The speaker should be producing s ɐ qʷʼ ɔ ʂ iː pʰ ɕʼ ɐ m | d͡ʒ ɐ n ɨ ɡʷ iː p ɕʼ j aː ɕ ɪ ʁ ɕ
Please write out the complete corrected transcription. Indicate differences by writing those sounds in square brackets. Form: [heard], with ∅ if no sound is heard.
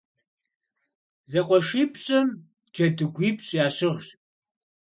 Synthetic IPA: [z] ɐ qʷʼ ɔ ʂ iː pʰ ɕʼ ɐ m | d͡ʒ ɐ [d] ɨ ɡʷ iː p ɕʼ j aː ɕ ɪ ʁ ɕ